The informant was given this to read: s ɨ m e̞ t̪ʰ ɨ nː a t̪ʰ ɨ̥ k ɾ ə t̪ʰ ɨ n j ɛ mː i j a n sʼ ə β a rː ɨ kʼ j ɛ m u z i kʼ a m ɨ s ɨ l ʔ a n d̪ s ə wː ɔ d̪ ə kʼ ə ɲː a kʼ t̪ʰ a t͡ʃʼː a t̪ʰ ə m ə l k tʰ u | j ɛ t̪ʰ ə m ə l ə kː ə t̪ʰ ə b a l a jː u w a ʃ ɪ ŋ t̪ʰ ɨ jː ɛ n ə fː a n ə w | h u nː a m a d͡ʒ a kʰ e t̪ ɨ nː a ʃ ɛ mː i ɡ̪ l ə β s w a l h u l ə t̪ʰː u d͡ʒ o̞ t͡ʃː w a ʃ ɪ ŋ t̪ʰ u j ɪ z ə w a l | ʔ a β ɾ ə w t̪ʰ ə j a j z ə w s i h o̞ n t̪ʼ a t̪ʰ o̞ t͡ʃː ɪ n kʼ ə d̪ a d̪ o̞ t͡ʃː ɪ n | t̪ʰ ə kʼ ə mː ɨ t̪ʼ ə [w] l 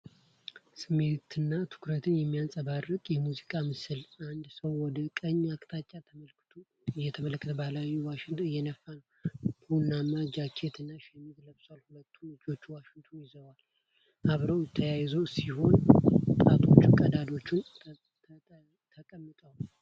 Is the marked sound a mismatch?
no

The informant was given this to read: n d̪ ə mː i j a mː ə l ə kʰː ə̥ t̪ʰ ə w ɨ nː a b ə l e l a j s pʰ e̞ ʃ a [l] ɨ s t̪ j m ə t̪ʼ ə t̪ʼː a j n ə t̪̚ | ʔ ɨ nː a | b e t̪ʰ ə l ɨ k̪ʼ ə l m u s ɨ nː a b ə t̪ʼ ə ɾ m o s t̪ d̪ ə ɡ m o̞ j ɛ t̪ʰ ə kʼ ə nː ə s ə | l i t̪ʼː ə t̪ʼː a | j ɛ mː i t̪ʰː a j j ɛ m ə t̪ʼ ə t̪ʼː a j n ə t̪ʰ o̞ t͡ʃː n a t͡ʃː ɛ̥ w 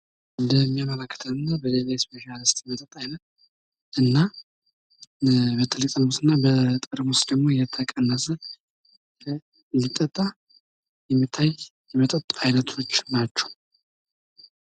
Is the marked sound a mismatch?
no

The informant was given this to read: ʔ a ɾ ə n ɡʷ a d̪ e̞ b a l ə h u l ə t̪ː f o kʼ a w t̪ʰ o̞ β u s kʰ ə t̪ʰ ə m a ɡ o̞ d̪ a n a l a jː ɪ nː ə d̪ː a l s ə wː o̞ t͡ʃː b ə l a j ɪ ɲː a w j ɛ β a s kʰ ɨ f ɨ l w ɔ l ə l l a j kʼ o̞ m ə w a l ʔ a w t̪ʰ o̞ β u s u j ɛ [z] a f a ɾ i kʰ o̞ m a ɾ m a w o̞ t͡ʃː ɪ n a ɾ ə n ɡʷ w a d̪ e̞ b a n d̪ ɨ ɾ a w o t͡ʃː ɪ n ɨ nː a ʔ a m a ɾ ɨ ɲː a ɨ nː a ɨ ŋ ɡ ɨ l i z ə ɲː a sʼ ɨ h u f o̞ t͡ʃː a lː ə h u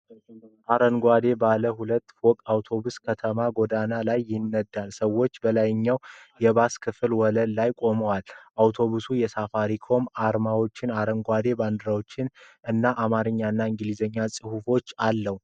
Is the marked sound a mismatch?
yes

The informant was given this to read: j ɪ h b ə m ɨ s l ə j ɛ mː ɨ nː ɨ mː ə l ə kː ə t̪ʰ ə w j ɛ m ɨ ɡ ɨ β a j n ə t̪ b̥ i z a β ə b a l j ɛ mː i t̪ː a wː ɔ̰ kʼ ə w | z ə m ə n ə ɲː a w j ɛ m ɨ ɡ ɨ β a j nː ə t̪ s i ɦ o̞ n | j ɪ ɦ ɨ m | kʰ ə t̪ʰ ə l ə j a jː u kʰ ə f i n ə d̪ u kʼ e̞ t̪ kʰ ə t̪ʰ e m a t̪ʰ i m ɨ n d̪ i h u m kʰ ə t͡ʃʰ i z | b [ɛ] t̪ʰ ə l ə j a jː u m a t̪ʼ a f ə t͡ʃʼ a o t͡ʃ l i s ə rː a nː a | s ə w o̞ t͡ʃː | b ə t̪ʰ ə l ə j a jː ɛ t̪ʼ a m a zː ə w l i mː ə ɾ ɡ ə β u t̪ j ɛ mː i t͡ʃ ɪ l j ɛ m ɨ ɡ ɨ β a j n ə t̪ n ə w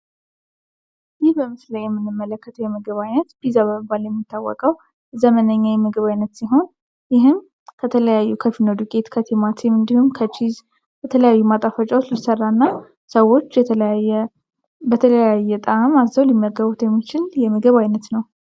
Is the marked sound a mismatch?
no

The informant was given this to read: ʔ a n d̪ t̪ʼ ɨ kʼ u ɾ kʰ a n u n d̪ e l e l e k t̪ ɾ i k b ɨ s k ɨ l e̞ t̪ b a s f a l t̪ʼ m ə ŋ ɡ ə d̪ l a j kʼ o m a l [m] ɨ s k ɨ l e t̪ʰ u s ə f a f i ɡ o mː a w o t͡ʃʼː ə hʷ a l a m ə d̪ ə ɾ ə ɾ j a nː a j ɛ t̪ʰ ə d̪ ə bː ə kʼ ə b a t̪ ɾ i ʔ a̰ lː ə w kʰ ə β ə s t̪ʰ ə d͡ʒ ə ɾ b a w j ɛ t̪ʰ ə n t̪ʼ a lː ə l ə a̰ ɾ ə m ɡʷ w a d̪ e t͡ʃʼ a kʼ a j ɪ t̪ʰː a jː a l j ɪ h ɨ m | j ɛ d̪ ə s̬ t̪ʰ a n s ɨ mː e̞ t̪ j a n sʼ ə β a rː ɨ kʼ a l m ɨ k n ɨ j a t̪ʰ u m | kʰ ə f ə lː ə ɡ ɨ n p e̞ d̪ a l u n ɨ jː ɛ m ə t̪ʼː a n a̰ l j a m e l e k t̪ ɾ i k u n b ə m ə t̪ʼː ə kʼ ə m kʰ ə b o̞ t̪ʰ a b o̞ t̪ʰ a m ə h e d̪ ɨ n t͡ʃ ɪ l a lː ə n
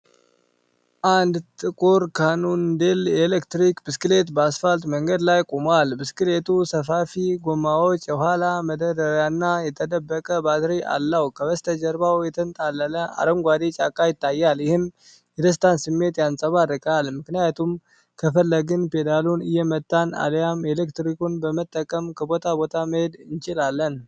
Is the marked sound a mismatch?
yes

